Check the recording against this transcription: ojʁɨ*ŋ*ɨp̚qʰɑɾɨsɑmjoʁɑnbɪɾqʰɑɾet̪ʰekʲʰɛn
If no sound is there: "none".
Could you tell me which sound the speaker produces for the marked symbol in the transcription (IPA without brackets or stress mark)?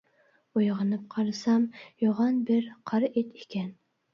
n